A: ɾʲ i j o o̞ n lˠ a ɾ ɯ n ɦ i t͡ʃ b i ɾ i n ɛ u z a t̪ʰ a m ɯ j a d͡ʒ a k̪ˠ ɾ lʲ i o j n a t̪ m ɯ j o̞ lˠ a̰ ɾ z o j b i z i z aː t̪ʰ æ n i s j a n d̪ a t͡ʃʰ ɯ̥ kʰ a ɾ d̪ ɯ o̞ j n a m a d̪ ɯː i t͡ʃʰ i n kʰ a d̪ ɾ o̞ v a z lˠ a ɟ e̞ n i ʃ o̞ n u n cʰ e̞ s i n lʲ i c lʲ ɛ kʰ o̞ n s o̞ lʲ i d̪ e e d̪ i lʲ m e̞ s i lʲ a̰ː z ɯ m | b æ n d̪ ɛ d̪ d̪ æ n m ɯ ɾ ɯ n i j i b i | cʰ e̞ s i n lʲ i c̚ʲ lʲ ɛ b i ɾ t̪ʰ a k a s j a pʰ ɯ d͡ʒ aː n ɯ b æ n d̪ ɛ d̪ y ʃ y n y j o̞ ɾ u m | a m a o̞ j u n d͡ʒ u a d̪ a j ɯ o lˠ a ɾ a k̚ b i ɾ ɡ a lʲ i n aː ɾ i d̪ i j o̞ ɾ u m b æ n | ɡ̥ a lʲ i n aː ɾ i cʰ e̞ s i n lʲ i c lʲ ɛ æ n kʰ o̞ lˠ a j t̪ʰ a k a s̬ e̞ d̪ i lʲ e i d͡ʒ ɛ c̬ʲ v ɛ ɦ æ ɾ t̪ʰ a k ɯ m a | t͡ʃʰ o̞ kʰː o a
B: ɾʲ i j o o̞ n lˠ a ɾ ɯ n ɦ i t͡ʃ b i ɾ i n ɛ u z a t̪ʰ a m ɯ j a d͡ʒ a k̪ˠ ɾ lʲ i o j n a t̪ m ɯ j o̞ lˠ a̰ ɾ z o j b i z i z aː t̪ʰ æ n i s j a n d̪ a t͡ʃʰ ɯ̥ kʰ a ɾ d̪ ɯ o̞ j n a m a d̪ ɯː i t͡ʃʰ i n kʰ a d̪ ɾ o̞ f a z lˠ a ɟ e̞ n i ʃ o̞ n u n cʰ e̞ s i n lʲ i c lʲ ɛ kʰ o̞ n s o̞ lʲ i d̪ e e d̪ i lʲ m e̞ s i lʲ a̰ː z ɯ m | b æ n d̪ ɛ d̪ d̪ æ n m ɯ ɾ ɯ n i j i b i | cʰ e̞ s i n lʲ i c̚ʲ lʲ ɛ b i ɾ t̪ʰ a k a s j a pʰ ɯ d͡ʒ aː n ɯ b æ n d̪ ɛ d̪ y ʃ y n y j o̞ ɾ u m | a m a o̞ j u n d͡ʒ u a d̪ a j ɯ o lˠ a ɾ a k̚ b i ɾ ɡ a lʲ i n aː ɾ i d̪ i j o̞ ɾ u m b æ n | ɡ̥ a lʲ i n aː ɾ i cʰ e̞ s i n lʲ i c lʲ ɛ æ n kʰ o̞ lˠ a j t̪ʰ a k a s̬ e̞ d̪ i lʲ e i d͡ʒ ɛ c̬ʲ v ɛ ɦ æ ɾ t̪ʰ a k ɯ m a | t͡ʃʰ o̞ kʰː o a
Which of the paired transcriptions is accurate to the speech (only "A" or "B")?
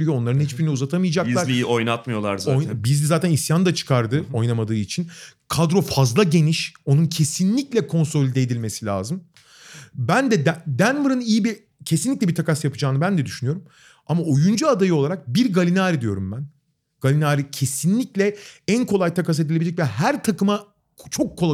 B